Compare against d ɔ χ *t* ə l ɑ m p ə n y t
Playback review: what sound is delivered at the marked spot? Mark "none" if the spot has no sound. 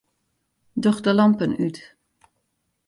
d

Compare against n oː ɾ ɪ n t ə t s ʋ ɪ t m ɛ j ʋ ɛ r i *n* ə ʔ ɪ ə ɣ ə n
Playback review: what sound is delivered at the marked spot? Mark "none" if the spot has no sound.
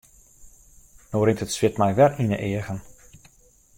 n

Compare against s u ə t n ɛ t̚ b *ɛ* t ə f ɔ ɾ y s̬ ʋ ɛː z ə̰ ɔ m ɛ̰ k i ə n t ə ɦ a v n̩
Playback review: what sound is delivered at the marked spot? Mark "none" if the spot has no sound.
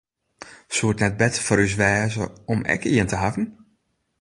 ɛ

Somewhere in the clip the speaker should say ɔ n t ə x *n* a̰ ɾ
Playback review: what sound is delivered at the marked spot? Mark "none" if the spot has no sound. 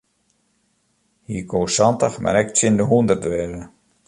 m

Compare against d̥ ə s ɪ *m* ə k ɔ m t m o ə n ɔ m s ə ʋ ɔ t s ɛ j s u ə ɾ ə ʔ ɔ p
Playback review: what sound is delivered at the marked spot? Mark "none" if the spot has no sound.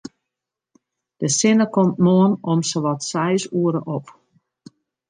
n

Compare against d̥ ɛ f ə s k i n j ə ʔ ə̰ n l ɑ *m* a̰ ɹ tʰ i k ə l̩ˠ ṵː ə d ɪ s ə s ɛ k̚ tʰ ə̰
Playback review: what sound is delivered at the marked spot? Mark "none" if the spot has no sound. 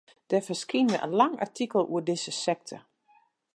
ŋ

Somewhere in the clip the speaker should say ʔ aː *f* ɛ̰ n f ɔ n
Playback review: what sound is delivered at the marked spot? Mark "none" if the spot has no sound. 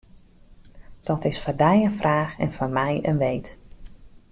x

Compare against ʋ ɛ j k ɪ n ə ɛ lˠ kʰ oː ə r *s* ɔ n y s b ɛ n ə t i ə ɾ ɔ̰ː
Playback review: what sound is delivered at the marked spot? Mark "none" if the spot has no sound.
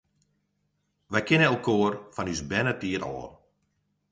f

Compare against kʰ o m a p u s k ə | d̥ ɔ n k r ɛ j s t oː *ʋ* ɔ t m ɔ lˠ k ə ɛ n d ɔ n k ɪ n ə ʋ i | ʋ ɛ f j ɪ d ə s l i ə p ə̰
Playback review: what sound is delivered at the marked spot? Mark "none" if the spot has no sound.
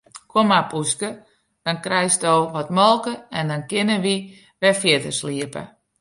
ʋ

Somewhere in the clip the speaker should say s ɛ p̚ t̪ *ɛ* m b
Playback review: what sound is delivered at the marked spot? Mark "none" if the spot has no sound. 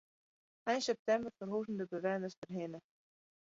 ɛ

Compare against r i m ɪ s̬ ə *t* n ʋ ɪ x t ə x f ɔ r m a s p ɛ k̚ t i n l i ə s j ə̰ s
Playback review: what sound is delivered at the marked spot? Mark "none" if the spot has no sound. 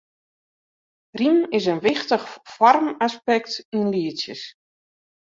none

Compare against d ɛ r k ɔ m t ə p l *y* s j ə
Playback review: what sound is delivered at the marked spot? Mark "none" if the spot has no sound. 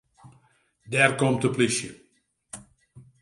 i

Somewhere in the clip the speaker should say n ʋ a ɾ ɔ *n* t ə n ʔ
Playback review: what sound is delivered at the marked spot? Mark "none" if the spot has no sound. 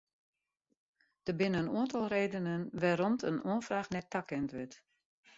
m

